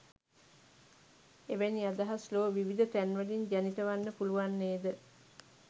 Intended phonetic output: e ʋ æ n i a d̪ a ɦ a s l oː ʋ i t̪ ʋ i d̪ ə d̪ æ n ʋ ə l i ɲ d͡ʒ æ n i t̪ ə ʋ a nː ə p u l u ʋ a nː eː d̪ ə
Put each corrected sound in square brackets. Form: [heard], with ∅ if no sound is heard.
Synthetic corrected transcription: e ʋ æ n i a d̪ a ɦ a s l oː ʋ i [∅] ʋ i d̪ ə [t̪] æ n ʋ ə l i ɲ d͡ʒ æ n i t̪ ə ʋ a nː ə p u l u ʋ a nː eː d̪ ə